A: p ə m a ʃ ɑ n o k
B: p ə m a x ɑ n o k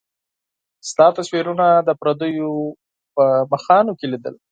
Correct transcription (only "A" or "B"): B